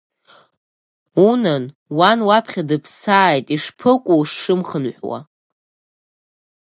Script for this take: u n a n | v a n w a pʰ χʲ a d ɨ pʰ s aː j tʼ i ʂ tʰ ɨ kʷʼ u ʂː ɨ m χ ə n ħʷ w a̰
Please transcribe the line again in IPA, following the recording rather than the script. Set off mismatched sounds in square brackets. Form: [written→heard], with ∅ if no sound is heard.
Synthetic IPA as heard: u n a n | [v→w] a n w a pʰ χʲ a d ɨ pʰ s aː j tʼ i ʂ [tʰ→pʰ] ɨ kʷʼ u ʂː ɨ m χ ə n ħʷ w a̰